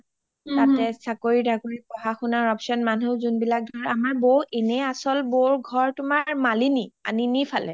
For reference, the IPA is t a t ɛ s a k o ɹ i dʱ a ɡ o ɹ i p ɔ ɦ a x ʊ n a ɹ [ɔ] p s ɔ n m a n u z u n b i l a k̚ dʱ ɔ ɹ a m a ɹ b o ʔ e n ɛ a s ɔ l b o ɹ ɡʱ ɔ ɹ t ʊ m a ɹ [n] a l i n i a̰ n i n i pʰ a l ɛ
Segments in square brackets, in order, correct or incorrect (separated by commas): correct, incorrect